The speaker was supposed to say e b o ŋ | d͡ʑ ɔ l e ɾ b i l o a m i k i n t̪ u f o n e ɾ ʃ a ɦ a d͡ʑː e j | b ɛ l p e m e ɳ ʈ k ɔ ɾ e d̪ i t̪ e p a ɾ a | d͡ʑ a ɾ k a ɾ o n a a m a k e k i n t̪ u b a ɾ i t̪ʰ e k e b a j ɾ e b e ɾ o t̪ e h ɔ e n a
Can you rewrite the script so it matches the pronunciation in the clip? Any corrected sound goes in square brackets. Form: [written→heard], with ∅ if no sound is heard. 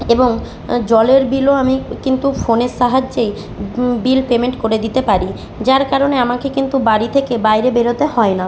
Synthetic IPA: e b o ŋ | d͡ʑ ɔ l e ɾ b i l o a m i k i n t̪ u f o n e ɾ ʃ a ɦ a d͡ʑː e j | b [ɛ→i] l p e m e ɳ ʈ k [ɔ→o] ɾ e d̪ i t̪ e p a ɾ [a→i] | d͡ʑ a ɾ k a ɾ o n [a→e] a m a k e k i n t̪ u b a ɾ i t̪ʰ e k e b a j ɾ e b e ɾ o t̪ e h ɔ e n a

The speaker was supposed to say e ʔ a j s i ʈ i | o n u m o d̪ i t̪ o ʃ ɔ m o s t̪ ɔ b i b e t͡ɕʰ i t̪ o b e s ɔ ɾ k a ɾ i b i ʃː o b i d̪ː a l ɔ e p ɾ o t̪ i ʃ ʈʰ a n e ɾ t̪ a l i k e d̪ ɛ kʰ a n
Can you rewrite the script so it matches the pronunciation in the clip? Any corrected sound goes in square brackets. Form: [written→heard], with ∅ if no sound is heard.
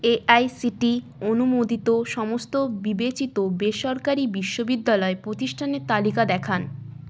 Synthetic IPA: e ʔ a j s i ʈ i | o n u m o d̪ i t̪ o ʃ ɔ m o s t̪ [ɔ→o] b i b e [t͡ɕʰ→t͡ɕ] i t̪ o b e [s→ʃ] ɔ ɾ k a ɾ i b i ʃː o b i d̪ː a l ɔ e p ɾ o t̪ i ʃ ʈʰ a n e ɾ t̪ a l i k [e→a] d̪ ɛ kʰ a n

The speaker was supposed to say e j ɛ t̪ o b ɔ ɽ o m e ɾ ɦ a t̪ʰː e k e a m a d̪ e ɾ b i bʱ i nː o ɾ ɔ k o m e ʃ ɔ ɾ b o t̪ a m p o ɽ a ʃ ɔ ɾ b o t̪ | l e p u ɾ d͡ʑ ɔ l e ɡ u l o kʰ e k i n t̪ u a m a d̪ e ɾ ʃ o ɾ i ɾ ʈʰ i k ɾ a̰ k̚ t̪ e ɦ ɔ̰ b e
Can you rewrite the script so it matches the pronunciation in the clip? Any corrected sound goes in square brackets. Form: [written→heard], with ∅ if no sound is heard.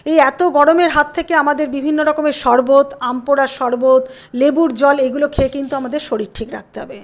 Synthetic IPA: e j ɛ t̪ o [b→ɡ] ɔ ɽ o m e ɾ ɦ a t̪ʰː e k e a m a d̪ e ɾ b i bʱ i nː o ɾ ɔ k o m e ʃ ɔ ɾ b o t̪ a m p o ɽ a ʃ ɔ ɾ b o t̪ | l e [p→b] u ɾ d͡ʑ ɔ l e ɡ u l o kʰ e k i n t̪ u a m a d̪ e ɾ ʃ o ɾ i ɾ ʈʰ i k ɾ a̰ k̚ t̪ e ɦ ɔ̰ b e

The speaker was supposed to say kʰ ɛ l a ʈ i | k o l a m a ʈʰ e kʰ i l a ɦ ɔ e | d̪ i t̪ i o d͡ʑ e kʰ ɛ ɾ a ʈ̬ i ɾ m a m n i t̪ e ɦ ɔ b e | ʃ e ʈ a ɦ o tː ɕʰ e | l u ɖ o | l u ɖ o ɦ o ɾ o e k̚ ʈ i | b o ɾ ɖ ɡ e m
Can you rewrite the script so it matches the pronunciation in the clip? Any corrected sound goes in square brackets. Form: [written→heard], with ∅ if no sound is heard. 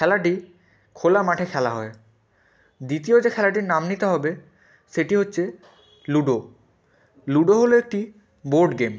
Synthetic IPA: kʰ ɛ l a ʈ i | [k→kʰ] o l a m a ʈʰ e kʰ [i→ɛ] l a ɦ ɔ e | d̪ i t̪ i o d͡ʑ e kʰ ɛ [ɾ→l] a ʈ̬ i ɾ [m→n] a m n i t̪ e ɦ ɔ b e | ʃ e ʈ [a→i] ɦ o tː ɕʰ e | l u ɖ o | l u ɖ o ɦ o [ɾ→l] o e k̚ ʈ i | b o ɾ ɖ ɡ e m

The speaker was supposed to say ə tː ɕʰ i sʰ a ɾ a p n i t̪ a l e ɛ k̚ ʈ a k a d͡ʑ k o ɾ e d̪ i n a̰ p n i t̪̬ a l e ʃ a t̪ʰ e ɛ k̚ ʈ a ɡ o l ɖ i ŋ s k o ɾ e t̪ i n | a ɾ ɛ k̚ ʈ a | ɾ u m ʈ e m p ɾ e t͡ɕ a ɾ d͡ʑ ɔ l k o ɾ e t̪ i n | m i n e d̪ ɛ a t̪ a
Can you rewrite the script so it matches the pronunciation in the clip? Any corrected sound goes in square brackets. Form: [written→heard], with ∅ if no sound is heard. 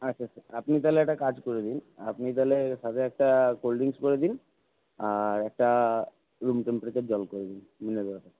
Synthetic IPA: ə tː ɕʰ [i→a] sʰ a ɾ a p n i t̪ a l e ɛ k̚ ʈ a k a d͡ʑ k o ɾ e d̪ i n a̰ p n i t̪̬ a l e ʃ a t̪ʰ e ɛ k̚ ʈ a [ɡ→k] o l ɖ i ŋ s k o ɾ e [t̪→d̪] i n | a ɾ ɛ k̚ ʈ a | ɾ u m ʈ e m p ɾ e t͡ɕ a ɾ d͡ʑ ɔ l k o ɾ e [t̪→d̪] i n | m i n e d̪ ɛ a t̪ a

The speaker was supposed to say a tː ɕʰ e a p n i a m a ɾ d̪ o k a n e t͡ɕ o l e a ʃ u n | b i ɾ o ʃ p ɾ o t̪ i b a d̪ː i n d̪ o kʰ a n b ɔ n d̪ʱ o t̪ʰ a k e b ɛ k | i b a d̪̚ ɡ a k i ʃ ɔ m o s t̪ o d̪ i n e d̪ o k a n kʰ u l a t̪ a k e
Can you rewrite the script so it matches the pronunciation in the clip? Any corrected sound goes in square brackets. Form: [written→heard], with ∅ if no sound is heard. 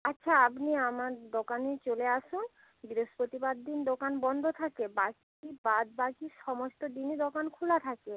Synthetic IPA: a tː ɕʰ [e→a] a p n i a m a ɾ d̪ o k a n e t͡ɕ o l e a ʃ u n | b i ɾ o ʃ p ɾ o t̪ i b a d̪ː i n d̪ o [kʰ→k] a n b ɔ n d̪ʱ o t̪ʰ a k e b [ɛ→a] k | i b a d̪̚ [ɡ→b] a k i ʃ ɔ m o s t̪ o d̪ i n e d̪ o k a n kʰ u l a [t̪→t̪ʰ] a k e

